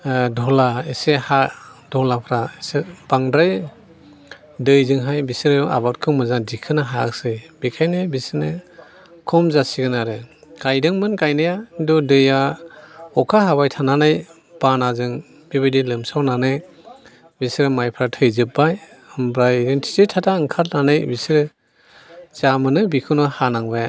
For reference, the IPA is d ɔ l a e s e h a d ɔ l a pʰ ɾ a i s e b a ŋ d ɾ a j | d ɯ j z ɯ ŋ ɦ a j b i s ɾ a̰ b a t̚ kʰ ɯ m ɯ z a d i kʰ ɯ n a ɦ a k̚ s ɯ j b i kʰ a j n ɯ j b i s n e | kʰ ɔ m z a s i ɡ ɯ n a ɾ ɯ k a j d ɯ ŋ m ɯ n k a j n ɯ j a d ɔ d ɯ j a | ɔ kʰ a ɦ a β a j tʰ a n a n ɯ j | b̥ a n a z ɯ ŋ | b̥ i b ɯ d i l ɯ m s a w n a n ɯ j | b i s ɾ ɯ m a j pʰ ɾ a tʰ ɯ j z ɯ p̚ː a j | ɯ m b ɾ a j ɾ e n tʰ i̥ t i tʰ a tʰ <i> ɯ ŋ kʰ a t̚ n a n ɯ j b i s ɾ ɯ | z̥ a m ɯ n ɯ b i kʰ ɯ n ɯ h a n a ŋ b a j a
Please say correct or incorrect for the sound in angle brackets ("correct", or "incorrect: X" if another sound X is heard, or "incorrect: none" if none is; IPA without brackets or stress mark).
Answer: incorrect: a